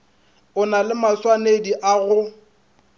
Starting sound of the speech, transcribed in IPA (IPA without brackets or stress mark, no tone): ʊ